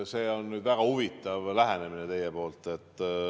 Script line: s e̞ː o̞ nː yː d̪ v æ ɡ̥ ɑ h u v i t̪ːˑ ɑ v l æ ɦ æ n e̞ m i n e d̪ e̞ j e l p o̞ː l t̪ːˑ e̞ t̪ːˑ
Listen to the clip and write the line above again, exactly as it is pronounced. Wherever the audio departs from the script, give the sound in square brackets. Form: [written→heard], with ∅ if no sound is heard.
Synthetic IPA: s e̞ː o̞ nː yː d̪ v æ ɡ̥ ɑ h u v i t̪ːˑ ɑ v l æ ɦ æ n e̞ m i n e [d̪→t̪] e̞ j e [l→∅] p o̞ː l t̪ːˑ e̞ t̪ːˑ